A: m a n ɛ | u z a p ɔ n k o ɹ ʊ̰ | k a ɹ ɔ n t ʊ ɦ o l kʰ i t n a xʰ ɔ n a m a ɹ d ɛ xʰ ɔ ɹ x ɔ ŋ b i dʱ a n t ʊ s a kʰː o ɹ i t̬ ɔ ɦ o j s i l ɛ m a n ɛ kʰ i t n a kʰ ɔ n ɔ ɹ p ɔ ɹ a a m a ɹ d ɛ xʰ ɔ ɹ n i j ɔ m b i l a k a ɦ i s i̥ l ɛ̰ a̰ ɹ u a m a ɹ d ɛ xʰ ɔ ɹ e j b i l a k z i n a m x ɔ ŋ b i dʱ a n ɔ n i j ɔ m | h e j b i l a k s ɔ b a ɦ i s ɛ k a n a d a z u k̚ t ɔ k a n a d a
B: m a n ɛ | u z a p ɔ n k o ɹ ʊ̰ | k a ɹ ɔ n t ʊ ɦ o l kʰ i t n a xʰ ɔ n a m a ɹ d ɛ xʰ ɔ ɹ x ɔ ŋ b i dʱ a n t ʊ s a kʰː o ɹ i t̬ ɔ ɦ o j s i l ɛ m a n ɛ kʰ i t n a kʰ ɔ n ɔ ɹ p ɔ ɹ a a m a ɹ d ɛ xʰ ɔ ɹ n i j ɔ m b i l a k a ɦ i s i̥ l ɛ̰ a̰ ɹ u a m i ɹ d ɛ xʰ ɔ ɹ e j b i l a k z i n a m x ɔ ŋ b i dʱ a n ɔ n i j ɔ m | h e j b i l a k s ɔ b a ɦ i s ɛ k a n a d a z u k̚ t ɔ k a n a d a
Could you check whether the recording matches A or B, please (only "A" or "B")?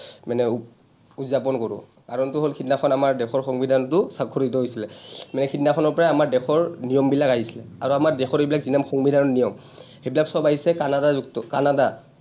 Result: A